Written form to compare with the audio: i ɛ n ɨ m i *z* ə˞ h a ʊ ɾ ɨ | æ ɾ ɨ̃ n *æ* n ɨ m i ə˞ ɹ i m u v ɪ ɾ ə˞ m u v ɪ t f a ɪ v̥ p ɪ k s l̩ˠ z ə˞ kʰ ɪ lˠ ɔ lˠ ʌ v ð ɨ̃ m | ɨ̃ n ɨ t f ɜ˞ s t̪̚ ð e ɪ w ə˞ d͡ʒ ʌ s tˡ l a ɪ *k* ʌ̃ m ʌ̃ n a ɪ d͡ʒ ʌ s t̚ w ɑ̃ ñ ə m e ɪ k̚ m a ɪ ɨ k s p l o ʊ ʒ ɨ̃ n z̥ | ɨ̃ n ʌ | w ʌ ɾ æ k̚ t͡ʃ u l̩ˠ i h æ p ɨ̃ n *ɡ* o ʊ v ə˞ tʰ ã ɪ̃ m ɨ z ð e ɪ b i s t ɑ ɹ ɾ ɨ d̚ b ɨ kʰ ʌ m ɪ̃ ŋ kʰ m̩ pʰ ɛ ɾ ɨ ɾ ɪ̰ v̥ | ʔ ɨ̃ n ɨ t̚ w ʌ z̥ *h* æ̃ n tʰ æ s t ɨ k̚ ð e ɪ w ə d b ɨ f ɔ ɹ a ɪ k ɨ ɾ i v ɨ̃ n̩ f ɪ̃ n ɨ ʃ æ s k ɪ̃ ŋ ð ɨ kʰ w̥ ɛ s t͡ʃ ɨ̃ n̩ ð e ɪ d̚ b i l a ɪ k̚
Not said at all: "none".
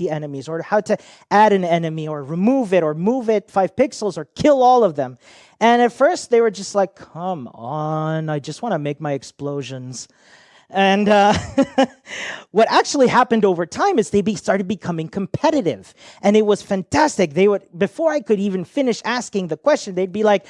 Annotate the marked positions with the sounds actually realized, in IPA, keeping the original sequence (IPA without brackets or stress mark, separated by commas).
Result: z, ɛ, kʰ, d, f